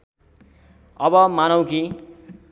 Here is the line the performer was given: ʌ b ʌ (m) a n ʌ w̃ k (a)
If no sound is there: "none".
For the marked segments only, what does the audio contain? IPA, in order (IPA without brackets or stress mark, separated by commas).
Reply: m, i